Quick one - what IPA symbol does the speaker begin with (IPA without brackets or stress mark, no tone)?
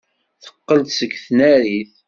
θ